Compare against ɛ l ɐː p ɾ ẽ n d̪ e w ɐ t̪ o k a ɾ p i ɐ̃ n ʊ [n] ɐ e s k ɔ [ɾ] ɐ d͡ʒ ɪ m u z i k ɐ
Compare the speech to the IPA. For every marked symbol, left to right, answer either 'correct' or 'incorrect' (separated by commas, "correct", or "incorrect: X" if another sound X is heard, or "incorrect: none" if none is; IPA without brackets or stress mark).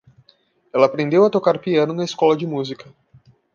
correct, incorrect: l